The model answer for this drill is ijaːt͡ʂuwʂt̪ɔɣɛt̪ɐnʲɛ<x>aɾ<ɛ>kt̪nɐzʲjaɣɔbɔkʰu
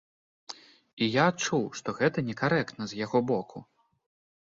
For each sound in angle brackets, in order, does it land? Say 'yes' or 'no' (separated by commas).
no, yes